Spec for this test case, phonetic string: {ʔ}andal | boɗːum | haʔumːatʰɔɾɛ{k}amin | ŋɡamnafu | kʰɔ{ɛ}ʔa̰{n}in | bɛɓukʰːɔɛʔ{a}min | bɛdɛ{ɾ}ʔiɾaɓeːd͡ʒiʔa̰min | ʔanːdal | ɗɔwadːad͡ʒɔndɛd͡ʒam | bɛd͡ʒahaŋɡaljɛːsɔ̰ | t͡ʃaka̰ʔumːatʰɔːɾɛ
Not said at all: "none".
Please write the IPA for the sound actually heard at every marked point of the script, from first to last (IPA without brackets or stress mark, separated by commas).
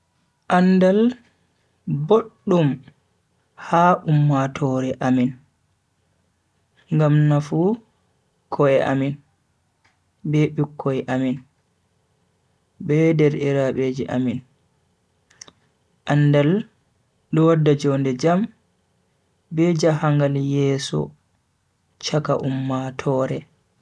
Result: ʔ, ʔ, ɛ, m, a, ɾ